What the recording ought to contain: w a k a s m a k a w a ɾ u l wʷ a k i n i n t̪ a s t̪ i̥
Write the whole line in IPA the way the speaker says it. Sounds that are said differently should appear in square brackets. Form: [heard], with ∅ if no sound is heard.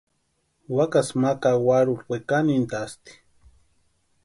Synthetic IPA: w a k a s m a k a w a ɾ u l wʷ [e] k [a] n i n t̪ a s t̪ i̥

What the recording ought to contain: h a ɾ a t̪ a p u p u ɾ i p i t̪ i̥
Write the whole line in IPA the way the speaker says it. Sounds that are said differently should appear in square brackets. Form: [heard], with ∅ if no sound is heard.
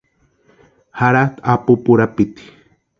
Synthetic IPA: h a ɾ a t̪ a p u p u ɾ [a] p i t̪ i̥

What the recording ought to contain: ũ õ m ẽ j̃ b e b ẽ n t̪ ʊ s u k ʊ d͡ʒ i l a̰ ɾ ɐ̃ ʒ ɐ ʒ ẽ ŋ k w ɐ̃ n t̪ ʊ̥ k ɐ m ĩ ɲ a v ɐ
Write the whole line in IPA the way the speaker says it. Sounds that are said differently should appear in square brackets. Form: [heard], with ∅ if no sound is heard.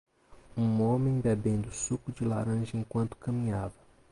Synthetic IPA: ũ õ m ẽ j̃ b e b ẽ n [d̪] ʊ s u k ʊ d͡ʒ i l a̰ ɾ ɐ̃ ʒ ɐ [∅] ẽ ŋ k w ɐ̃ n t̪ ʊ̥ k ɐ m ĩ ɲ a v ɐ

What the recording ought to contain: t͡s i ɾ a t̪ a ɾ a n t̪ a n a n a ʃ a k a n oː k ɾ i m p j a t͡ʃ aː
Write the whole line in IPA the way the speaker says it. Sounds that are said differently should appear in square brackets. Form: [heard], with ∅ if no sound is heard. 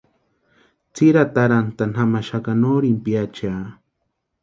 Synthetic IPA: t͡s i ɾ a t̪ a ɾ a n t̪ a n a [m] a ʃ a k a n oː [∅] ɾ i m p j a t͡ʃ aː

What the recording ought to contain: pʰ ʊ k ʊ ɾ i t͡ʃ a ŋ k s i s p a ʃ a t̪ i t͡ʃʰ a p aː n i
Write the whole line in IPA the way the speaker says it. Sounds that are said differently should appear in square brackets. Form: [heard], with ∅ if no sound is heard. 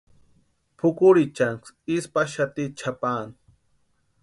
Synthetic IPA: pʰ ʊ k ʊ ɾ i t͡ʃ a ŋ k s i s p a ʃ a t̪ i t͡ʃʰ a p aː n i

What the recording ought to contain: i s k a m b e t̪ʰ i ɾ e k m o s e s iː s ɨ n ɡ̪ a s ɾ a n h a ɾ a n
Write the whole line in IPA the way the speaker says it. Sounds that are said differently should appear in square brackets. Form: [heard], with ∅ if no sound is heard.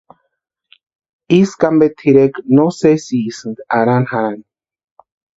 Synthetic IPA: i s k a m b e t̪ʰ i ɾ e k [n] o s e s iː s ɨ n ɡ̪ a [∅] ɾ a n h a ɾ a n

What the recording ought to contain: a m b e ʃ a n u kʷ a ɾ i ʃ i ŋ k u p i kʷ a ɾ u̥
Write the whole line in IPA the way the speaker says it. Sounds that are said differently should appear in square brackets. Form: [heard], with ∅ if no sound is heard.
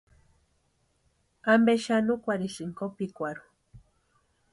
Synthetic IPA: a m b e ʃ a n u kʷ a ɾ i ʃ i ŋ k [o] p i kʷ a ɾ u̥

